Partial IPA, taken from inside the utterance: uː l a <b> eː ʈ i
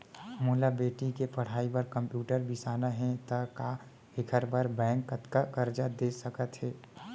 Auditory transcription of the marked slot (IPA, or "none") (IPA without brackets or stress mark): b